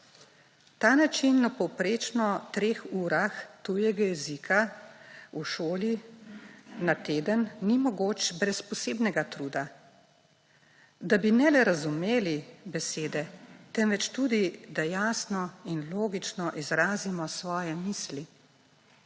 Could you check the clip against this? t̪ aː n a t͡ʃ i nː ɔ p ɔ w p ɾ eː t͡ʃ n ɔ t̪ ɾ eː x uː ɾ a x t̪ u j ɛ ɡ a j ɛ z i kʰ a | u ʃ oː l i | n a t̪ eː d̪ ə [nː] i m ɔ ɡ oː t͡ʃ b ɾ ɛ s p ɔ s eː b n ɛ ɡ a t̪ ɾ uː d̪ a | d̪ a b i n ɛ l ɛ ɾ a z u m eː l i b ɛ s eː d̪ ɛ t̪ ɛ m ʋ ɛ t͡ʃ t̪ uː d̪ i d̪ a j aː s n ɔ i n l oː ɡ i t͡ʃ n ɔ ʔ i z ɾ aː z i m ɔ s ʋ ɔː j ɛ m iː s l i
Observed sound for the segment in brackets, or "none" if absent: nː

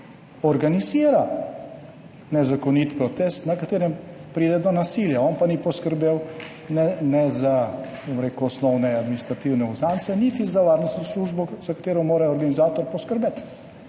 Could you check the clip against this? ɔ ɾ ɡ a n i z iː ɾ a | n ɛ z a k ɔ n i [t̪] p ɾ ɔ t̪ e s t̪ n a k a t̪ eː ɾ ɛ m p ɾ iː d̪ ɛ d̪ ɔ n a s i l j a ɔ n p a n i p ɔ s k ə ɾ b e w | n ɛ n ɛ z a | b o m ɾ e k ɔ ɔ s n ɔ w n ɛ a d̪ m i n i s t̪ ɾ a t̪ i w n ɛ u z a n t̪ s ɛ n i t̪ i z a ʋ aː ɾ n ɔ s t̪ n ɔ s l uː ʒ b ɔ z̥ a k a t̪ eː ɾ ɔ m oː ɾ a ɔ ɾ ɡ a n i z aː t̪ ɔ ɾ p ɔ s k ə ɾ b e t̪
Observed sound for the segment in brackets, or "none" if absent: t̪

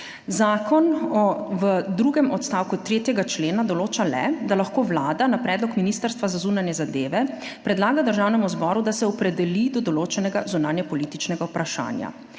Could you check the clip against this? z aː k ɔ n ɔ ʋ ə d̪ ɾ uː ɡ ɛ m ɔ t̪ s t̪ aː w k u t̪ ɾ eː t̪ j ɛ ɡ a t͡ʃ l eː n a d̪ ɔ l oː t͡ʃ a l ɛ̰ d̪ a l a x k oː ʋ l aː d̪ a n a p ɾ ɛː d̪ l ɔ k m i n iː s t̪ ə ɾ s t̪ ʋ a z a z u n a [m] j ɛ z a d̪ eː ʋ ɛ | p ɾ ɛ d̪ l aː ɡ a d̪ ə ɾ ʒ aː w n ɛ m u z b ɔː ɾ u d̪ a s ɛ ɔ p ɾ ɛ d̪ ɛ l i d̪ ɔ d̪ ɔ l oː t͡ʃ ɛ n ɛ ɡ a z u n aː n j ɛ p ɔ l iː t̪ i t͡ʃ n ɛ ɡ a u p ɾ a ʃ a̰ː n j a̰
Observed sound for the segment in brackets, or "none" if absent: n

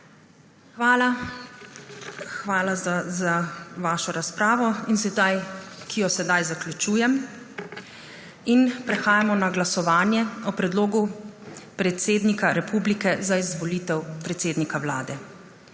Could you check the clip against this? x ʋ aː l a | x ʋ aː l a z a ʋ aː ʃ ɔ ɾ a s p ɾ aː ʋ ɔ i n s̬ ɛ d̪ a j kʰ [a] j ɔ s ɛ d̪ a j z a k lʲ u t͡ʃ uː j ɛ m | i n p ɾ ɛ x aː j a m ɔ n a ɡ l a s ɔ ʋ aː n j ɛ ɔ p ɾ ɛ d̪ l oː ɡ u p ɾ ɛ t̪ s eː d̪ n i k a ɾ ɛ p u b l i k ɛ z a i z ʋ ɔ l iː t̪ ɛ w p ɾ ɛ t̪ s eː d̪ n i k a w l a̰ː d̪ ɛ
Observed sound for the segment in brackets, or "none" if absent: i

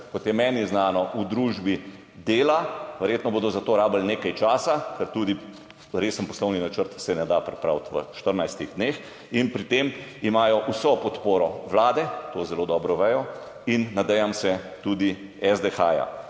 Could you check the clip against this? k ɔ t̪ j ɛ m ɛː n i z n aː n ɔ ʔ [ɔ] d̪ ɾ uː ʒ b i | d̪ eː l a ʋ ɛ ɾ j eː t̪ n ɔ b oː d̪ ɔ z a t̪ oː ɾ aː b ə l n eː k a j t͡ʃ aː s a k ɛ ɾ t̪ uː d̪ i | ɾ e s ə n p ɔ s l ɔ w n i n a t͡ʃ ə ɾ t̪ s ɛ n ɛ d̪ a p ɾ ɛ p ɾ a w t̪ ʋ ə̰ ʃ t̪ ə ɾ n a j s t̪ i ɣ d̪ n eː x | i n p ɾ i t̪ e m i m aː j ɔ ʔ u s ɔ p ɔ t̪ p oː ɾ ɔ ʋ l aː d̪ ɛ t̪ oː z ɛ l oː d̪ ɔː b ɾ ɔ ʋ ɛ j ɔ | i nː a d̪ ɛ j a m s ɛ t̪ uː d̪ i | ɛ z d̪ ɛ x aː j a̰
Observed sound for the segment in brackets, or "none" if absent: u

